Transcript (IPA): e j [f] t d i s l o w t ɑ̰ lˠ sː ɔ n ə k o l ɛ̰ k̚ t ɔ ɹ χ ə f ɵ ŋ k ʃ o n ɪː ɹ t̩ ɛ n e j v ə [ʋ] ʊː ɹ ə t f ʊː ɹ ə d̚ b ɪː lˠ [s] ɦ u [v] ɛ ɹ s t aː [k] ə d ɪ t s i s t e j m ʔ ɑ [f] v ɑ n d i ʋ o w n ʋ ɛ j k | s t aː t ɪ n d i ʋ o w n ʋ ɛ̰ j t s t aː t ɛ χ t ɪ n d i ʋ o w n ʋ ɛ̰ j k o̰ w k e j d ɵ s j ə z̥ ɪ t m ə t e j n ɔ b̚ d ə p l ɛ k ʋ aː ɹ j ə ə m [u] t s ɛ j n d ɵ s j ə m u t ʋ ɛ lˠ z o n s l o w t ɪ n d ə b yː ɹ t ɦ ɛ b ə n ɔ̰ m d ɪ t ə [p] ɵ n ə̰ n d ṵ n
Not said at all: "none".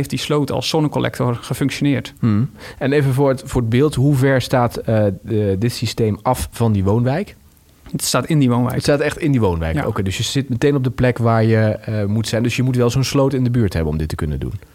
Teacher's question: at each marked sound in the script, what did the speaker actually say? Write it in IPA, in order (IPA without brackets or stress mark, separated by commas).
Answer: f, v, t, v, t, f, u, k